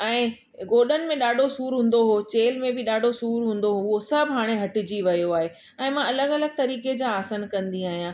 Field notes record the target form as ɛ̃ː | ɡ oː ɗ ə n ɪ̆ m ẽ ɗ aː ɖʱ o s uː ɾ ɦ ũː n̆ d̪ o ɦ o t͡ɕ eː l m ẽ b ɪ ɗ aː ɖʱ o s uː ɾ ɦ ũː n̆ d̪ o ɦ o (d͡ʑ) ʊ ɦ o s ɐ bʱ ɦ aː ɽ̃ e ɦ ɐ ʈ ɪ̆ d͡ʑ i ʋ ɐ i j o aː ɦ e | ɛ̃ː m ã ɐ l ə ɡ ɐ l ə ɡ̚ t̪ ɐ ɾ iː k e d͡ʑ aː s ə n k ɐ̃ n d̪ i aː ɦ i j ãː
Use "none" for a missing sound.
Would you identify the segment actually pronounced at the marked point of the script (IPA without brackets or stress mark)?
none